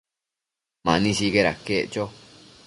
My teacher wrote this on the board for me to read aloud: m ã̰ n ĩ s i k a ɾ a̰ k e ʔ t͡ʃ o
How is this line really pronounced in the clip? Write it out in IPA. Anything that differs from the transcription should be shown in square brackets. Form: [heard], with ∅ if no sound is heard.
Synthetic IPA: m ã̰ n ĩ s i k [e] ɾ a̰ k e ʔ t͡ʃ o